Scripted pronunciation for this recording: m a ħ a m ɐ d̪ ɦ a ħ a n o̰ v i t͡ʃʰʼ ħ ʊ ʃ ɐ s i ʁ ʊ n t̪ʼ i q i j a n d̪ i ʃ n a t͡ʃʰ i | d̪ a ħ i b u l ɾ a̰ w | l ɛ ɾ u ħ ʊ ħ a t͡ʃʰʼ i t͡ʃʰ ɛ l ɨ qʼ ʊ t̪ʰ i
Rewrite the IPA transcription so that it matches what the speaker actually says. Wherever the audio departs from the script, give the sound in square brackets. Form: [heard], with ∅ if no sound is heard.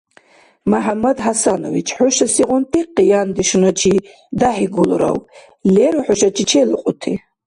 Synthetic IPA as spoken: m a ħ a m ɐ d̪ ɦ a [s] a n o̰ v i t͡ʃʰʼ ħ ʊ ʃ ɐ s i ʁ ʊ n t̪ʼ i q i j a n d̪ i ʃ n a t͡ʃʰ i | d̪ a ħ i [ɡ] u l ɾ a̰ w | l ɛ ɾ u ħ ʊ [ʃ] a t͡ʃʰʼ i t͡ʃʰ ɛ l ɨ qʼ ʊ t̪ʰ i